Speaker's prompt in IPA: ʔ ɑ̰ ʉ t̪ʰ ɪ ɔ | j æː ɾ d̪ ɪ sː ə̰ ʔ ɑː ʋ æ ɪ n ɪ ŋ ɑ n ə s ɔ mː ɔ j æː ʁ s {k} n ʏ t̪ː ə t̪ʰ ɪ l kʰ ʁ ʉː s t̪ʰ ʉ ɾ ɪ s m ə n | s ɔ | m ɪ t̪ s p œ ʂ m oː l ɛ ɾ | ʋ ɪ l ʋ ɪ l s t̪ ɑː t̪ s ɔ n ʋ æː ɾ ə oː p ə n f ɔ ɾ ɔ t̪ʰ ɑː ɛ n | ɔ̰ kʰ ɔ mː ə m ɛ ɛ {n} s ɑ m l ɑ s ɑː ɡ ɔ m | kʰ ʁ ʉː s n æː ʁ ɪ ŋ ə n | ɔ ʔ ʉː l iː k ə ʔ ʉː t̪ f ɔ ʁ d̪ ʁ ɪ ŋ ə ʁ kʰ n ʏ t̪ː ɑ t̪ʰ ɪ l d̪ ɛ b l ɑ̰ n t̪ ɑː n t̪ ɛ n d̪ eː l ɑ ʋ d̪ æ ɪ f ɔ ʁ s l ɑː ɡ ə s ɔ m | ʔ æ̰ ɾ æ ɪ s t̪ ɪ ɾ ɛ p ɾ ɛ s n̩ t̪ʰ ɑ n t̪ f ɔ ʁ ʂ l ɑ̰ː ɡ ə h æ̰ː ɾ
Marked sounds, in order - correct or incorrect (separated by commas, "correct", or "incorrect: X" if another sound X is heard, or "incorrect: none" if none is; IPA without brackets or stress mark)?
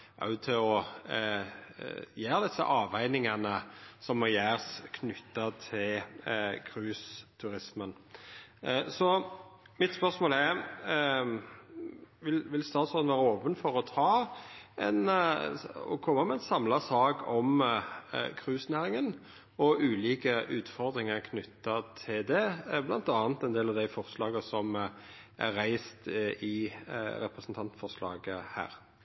incorrect: kʰ, correct